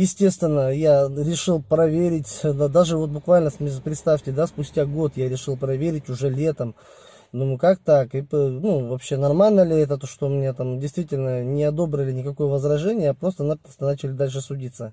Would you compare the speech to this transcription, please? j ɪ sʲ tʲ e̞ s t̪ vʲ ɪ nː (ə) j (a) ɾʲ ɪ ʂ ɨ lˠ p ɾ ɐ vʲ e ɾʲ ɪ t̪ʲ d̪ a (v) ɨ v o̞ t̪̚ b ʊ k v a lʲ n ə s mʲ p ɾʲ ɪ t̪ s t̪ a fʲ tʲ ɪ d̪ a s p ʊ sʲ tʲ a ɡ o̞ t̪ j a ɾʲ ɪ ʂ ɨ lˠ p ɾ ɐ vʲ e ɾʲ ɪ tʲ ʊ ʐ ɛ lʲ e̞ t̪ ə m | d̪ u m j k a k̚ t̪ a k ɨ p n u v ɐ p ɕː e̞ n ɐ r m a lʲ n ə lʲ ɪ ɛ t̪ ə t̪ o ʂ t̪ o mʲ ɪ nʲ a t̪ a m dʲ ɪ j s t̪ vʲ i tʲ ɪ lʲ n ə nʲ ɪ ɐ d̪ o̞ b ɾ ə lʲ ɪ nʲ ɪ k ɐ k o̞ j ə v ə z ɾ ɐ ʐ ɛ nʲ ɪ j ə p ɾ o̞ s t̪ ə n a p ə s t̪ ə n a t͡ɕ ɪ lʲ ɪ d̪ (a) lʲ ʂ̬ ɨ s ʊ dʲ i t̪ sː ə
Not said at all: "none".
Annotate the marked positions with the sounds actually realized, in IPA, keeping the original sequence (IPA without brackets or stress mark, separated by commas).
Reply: ə, a, ʐ, a